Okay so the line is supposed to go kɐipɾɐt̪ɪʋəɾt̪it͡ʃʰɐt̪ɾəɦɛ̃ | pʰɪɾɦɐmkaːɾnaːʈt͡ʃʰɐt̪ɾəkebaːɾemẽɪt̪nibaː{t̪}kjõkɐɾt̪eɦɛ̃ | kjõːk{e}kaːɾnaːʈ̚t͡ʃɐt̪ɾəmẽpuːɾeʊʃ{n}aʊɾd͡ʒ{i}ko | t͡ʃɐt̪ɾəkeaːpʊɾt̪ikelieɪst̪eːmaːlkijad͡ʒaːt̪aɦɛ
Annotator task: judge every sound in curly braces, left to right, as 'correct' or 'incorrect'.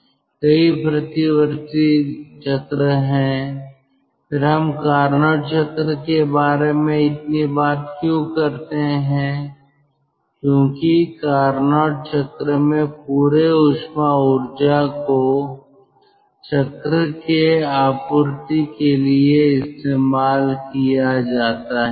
correct, incorrect, incorrect, incorrect

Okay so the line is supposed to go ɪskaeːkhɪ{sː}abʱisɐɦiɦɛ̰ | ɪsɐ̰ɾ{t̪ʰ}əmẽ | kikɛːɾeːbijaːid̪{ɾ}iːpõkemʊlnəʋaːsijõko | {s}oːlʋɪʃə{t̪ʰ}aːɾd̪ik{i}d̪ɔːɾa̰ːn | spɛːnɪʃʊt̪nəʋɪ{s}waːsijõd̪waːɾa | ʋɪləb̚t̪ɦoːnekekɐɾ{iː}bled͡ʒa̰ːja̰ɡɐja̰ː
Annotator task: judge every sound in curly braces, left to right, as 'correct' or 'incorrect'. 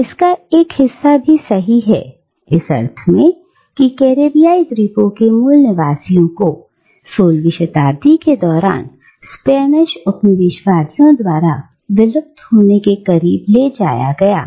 correct, correct, correct, correct, incorrect, incorrect, incorrect, correct

